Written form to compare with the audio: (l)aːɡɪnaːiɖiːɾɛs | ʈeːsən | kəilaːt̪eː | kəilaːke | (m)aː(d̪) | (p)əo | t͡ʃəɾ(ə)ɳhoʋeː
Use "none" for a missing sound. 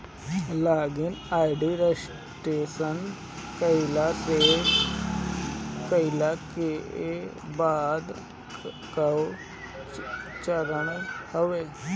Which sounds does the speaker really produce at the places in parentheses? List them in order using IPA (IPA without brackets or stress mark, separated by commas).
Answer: l, b, d̪, k, ə